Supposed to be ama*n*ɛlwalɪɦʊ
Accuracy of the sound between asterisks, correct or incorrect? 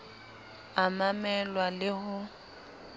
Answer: incorrect